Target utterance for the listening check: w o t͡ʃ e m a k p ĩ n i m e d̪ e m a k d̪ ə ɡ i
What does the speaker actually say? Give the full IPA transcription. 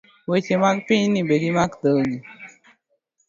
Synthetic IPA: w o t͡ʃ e m a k p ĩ n i b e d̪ i m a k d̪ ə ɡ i